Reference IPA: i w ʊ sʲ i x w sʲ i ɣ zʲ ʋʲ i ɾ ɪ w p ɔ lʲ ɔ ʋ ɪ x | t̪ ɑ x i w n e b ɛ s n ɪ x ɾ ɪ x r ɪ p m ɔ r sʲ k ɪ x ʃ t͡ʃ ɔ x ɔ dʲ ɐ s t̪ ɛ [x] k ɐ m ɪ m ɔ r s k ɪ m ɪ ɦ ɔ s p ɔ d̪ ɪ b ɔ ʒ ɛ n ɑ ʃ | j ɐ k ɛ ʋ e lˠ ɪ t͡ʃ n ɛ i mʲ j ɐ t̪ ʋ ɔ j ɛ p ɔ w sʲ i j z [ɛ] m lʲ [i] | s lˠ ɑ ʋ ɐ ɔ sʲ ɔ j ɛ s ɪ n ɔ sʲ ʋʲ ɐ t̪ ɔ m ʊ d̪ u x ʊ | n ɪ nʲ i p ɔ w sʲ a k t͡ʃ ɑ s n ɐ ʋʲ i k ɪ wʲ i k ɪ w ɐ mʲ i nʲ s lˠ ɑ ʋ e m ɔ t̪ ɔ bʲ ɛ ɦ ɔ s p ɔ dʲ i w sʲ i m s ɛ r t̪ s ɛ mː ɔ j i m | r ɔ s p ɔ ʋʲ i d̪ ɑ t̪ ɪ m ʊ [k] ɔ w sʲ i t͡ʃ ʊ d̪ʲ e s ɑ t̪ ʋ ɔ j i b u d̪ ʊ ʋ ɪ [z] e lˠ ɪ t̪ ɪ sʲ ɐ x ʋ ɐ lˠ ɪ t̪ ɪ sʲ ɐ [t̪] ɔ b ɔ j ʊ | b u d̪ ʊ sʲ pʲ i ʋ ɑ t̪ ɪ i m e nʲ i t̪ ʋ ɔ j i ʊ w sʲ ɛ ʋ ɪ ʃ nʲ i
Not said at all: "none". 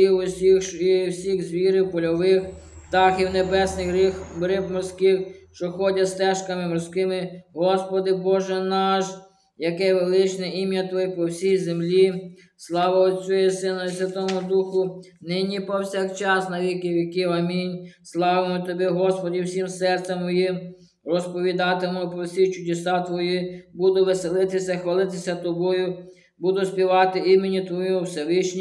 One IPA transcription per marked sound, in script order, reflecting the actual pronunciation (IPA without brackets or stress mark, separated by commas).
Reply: ʃ, e, i, p, s, t̪